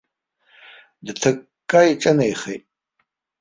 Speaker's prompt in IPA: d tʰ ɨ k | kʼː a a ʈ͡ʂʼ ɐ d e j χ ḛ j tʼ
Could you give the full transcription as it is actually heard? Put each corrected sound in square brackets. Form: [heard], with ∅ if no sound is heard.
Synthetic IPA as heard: d tʰ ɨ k | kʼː a [i] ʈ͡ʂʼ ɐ [n] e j χ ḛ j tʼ